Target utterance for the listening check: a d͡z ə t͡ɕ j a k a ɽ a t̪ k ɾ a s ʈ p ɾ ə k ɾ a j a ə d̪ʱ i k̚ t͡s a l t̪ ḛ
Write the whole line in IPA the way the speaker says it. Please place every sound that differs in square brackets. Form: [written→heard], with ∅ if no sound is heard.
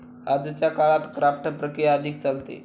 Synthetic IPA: a d͡z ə t͡ɕ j a k a [ɽ→ɭ] a t̪ k ɾ a [s→f] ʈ p ɾ ə k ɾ [a→i] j a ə d̪ʱ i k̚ t͡s a l t̪ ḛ